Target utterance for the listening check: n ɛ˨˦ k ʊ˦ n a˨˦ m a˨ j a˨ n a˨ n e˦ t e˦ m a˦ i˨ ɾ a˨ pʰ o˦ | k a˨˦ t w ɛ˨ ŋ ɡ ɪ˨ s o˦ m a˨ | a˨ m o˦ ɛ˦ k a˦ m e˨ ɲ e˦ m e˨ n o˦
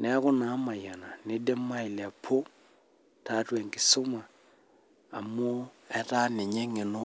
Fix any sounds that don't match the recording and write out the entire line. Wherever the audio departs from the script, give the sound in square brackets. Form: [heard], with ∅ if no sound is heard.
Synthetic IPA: n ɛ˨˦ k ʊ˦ n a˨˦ m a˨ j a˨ n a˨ n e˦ [d] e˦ m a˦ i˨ [l] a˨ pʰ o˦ | [t] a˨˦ t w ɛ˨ ŋ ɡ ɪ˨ s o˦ m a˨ | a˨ m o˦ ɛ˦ [t] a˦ [n] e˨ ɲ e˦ [ŋ] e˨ n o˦

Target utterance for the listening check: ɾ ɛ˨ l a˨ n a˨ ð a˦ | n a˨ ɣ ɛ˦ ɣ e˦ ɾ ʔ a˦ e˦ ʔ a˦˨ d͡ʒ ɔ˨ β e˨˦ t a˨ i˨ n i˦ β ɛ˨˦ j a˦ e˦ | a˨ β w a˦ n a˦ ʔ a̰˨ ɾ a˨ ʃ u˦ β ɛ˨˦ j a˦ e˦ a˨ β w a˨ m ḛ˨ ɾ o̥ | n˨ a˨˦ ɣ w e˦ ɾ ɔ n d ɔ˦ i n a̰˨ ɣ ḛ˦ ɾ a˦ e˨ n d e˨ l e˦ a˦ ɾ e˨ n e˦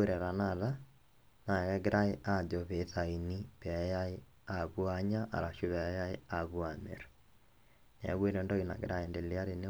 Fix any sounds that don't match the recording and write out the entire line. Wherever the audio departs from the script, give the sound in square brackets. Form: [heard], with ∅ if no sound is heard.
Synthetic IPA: ɾ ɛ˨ [ɾ] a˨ n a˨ ð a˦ | n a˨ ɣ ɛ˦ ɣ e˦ ɾ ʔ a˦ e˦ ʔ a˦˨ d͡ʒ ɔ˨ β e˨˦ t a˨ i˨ n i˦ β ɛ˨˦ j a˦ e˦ | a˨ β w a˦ [ɲ] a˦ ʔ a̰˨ ɾ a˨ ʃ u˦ β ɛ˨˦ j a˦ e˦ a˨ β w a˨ m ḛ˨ ɾ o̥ | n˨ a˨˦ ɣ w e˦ ɾ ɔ n d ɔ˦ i n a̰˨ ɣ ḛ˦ ɾ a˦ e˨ n d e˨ l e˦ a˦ ɾ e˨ n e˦

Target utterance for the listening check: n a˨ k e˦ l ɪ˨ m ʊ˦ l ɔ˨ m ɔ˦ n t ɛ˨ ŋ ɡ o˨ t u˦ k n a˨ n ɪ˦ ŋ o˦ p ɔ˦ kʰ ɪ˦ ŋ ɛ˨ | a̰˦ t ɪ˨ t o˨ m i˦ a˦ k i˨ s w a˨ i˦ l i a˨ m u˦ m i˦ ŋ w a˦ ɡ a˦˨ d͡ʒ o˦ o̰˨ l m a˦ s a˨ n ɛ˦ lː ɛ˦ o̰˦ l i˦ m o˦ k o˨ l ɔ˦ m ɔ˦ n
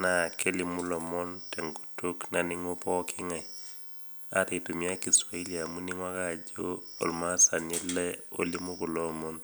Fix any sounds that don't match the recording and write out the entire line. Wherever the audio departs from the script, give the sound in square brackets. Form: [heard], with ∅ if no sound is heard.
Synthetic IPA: n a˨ k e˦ l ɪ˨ m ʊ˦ l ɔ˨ m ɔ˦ n t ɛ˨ ŋ ɡ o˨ t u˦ k n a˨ n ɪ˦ ŋ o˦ p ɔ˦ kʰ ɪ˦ ŋ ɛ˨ | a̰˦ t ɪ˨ t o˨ m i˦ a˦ k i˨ s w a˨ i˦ l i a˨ m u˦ [n] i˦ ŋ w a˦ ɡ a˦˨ d͡ʒ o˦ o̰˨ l m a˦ s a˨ n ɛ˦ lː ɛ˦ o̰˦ l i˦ m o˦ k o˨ l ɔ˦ m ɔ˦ n

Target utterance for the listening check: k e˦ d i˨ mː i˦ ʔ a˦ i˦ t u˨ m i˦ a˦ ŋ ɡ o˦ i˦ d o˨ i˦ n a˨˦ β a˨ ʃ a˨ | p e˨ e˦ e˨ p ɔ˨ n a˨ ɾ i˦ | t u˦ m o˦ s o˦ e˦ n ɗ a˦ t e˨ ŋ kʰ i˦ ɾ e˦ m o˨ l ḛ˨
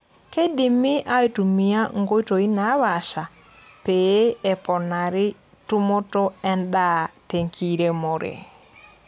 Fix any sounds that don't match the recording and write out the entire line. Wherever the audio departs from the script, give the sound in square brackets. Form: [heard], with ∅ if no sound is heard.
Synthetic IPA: k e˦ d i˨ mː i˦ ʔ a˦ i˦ t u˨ m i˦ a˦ ŋ ɡ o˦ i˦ [t] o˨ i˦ n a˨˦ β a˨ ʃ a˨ | p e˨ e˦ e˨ p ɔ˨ n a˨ ɾ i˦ | t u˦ m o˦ [t] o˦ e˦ n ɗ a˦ t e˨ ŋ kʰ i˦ ɾ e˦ m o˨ [ɾ] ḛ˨

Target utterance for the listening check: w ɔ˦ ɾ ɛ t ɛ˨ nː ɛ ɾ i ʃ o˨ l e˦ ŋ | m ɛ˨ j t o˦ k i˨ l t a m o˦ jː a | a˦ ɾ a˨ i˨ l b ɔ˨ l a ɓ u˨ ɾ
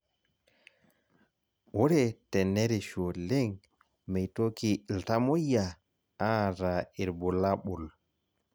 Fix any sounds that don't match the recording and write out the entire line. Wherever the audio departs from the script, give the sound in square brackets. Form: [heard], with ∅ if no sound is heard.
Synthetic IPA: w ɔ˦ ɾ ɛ t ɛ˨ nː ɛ ɾ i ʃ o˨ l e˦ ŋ | m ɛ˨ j t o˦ k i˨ l t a m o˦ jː a | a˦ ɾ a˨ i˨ [ɾ] b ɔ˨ l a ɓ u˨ [l]

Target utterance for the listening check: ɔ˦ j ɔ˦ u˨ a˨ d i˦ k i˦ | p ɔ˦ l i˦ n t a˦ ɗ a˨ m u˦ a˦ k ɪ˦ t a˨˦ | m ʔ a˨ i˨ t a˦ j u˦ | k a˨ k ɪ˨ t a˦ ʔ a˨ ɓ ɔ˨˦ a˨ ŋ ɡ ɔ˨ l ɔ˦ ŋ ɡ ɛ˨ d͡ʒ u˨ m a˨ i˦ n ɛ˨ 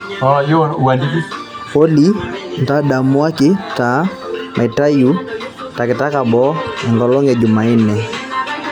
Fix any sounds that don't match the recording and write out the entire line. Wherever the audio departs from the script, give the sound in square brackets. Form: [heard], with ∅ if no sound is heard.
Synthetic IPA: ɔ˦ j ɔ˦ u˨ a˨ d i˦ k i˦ | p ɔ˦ l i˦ n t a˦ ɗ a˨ m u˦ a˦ k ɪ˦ t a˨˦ | m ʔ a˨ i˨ t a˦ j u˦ | [t] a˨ k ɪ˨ t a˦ [k] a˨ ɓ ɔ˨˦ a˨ ŋ ɡ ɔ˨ l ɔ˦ ŋ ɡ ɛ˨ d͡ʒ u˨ m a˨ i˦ n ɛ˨

